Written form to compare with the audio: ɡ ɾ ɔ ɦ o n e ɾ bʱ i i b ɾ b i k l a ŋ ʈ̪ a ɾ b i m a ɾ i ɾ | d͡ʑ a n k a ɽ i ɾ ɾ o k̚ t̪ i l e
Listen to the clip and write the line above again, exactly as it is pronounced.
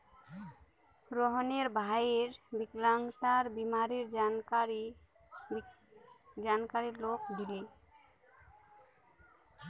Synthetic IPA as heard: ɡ ɾ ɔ ɦ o n e ɾ bʱ a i ɾ b i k l a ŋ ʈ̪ a ɾ b i m a ɾ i ɾ | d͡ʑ a n k a ɾ i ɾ l o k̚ d̪ i l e